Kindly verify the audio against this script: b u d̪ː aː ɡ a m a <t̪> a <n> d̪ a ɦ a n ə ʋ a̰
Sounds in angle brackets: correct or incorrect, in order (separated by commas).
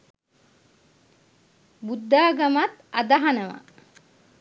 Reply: correct, incorrect